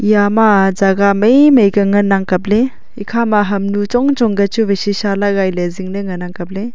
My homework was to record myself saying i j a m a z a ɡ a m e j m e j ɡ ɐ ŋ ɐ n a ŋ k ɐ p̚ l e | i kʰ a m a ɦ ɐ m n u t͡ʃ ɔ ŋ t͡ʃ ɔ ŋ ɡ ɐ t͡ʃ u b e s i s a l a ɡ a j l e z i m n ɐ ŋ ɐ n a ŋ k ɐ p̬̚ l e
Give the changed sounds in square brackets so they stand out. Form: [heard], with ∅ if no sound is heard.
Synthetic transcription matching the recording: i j a m a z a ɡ a m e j m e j ɡ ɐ ŋ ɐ n a ŋ k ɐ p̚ l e | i kʰ a m a ɦ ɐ m n u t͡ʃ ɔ ŋ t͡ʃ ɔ ŋ ɡ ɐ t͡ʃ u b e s i s a l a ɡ a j l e z i [ŋ] n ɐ ŋ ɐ n a ŋ k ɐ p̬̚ l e